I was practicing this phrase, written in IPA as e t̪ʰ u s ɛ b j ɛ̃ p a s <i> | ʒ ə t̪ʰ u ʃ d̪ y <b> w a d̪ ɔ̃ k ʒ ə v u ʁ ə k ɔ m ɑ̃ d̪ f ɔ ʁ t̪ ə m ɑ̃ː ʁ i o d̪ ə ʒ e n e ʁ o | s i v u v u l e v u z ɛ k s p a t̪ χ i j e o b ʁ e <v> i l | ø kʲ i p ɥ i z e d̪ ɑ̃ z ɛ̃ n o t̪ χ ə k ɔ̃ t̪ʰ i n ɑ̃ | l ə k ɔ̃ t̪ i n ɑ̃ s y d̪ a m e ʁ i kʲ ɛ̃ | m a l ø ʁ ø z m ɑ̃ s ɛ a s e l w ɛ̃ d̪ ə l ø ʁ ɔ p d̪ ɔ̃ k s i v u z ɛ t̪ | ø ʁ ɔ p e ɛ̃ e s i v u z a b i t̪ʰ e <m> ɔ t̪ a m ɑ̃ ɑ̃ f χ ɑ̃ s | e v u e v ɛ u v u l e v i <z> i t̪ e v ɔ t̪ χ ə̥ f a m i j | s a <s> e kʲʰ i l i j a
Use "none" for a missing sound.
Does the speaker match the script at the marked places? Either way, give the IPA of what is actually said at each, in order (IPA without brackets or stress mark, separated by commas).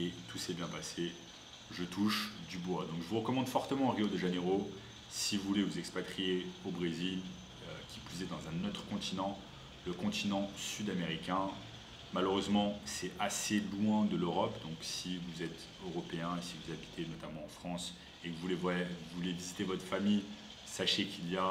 e, b, z, n, z, ʃ